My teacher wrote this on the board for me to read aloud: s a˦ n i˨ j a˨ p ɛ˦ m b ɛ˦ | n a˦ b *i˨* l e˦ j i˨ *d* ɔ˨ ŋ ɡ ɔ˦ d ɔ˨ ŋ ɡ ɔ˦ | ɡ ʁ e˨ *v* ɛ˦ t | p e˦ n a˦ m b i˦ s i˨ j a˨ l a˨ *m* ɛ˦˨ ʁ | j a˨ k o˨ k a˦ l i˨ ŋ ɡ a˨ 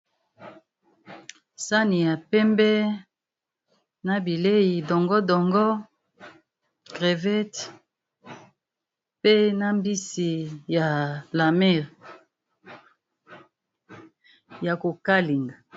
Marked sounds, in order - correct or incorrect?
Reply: correct, correct, correct, correct

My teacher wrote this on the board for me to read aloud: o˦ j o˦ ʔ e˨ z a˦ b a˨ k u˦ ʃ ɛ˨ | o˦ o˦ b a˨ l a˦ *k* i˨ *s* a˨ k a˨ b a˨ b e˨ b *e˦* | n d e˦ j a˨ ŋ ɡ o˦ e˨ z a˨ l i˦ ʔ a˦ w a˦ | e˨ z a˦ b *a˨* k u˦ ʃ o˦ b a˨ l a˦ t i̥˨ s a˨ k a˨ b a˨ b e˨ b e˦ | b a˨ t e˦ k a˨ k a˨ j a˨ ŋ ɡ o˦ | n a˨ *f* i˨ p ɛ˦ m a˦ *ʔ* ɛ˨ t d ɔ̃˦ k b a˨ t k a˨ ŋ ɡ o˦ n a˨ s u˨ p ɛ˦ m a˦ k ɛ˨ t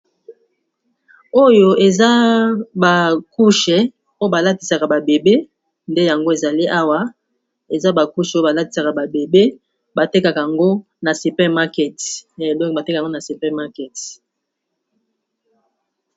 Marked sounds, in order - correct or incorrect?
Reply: incorrect, correct, correct, correct, incorrect, incorrect

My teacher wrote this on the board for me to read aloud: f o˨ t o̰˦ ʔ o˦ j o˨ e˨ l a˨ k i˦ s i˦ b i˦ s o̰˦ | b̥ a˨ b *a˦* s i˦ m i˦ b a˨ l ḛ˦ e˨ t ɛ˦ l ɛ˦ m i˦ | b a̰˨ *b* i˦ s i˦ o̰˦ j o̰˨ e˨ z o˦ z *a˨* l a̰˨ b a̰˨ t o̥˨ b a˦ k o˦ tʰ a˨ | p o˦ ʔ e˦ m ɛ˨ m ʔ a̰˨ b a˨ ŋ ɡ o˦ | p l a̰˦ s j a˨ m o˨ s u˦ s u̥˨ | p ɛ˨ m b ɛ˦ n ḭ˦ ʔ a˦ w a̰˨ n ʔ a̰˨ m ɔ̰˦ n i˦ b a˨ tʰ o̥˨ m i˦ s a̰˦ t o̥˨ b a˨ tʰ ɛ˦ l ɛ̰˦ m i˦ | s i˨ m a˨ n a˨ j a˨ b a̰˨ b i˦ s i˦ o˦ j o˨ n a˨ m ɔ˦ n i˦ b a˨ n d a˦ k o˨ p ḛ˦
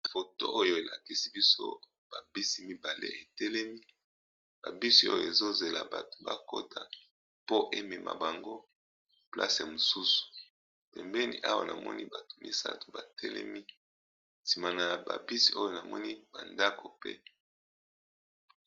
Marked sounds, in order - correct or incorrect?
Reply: incorrect, correct, incorrect

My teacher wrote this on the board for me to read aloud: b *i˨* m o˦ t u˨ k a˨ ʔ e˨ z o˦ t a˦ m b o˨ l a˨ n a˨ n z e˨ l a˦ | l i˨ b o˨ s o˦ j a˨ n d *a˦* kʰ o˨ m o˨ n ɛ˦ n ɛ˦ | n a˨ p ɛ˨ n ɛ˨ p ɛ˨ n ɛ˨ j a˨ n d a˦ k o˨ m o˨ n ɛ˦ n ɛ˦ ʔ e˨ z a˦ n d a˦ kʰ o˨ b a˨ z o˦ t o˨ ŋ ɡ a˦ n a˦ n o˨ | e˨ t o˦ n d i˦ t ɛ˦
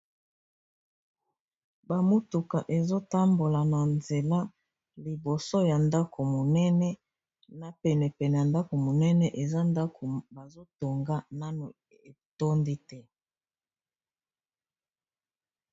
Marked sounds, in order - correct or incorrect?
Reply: incorrect, correct

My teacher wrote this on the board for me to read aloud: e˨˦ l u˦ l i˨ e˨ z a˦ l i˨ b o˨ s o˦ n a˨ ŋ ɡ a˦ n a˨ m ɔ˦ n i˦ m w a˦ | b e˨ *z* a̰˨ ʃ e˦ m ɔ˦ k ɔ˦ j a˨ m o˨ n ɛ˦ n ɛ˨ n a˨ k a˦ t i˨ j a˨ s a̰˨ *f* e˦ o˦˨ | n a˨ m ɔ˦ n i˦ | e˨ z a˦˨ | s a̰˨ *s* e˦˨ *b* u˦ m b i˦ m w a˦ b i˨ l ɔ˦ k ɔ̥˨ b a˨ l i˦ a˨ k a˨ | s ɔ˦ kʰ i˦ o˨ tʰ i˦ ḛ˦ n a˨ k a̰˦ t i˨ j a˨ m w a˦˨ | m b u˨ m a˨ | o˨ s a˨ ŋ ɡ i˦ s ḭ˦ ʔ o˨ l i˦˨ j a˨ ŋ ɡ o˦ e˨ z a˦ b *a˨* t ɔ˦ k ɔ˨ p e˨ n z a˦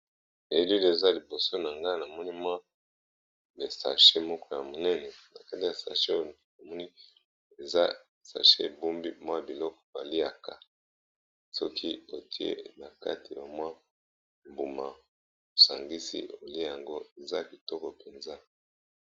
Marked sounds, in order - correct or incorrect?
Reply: incorrect, incorrect, incorrect, correct, incorrect

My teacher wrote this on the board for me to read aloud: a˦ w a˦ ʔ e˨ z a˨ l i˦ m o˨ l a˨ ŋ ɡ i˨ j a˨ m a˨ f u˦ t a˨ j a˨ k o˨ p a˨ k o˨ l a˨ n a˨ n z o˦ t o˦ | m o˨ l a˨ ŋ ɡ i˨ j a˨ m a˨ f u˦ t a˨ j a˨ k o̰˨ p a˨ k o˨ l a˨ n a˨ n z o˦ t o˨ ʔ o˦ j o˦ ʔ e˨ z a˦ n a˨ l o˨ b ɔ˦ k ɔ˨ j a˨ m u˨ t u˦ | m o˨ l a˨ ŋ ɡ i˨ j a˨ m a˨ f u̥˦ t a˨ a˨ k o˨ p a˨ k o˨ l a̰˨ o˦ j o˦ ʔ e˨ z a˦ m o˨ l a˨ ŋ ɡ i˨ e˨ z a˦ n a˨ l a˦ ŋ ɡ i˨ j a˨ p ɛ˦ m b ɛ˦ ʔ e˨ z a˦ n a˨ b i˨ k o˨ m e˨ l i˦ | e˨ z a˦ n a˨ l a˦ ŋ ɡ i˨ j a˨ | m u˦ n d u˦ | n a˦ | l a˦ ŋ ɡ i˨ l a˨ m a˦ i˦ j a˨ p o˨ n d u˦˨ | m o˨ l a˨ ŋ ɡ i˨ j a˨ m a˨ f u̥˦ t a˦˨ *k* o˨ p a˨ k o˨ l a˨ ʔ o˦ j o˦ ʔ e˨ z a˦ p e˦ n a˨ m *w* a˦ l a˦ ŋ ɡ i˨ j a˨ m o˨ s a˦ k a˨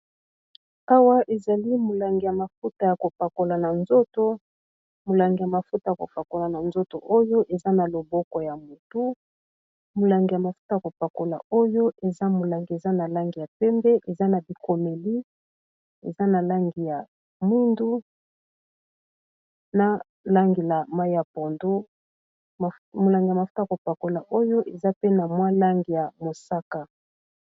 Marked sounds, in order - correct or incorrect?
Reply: correct, correct

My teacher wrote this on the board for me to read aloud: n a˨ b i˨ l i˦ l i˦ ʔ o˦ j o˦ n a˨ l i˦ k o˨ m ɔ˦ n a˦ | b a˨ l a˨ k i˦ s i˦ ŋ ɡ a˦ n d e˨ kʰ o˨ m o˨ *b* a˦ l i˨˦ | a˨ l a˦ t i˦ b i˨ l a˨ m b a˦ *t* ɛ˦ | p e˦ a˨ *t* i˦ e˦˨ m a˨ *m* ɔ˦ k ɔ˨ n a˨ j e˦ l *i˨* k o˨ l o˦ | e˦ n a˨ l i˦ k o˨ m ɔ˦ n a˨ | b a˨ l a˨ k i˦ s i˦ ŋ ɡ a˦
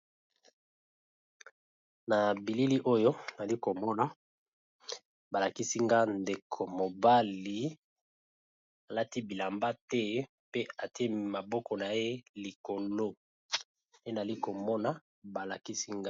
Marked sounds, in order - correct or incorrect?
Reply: correct, correct, correct, incorrect, correct

